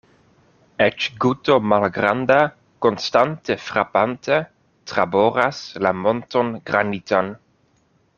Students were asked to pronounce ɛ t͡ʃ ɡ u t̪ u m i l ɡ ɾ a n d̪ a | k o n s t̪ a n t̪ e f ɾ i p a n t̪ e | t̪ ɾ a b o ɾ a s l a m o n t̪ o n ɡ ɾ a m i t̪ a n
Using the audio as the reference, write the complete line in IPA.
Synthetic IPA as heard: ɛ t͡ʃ ɡ u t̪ o m a l ɡ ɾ a n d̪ a | k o n s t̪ a n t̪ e f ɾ a p a n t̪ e | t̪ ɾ a b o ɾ a s l a m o n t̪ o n ɡ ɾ a n i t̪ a n